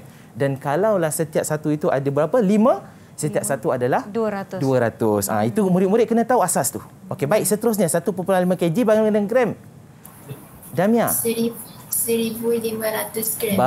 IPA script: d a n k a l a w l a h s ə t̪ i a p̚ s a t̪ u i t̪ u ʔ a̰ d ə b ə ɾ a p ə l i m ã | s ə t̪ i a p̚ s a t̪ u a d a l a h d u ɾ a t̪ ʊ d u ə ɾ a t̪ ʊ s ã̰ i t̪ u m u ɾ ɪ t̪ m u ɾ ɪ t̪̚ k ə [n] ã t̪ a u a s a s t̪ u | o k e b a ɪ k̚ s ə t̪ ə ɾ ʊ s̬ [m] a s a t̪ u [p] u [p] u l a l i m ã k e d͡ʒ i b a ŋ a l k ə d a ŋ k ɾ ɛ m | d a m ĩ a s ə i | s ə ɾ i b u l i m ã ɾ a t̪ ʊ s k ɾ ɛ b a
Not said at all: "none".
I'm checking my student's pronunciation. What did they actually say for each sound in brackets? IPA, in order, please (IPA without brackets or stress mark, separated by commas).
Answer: n, ɲ, p, p